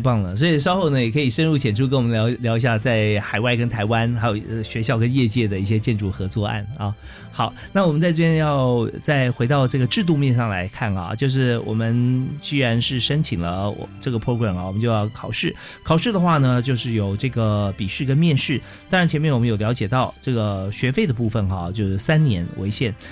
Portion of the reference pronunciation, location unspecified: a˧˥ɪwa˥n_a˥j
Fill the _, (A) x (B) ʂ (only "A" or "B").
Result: A